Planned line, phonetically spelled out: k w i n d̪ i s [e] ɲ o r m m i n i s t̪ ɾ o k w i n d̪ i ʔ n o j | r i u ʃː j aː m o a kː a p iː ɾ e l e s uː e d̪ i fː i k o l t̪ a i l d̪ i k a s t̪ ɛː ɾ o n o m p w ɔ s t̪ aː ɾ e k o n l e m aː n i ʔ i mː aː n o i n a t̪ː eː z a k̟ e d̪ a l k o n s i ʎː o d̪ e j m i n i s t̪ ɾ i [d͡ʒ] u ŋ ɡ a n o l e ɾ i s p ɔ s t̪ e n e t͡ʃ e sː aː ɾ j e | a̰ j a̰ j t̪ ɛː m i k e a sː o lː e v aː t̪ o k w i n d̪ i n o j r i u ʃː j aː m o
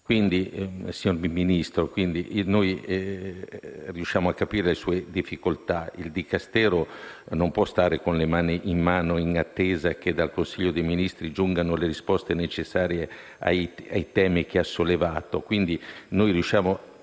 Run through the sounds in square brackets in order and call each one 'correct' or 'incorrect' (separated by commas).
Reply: incorrect, correct